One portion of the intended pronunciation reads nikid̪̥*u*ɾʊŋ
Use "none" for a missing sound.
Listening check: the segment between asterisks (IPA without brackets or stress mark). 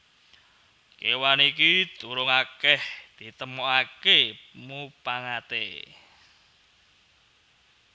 u